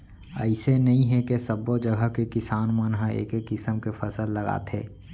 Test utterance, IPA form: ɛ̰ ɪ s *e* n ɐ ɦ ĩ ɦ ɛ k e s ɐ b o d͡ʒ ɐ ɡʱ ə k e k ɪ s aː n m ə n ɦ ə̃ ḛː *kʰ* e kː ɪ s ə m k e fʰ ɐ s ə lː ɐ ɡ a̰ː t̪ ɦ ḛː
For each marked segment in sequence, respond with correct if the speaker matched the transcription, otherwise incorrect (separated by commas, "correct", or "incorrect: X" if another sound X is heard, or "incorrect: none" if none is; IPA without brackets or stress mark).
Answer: correct, incorrect: k